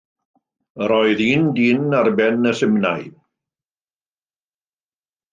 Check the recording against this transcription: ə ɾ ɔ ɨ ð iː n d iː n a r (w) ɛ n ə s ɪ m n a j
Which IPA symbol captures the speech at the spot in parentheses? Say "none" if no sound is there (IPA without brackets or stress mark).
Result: b